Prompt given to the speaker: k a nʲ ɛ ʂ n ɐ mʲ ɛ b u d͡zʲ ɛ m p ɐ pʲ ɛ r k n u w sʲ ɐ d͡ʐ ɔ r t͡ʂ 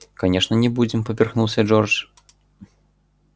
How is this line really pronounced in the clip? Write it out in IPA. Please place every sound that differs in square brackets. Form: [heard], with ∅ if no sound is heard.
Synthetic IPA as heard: k a nʲ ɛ ʂ n ɐ [nʲ] ɛ b u d͡zʲ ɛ m p ɐ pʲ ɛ r [x] n u w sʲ ɐ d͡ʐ ɔ r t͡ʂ